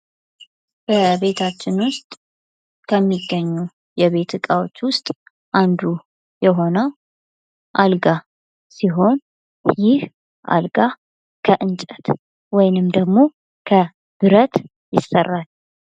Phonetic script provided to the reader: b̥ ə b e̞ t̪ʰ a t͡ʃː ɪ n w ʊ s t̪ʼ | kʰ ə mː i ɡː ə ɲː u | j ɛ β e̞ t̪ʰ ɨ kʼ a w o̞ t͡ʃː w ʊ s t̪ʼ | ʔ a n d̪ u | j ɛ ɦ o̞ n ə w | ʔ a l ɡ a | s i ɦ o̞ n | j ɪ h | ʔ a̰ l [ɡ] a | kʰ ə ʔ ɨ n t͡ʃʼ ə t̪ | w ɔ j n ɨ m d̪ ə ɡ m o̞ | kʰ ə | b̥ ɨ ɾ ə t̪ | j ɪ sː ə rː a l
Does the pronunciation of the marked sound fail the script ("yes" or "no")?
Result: no